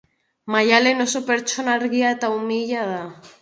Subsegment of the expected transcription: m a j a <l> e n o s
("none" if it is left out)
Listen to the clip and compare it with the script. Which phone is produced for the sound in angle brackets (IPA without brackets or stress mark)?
l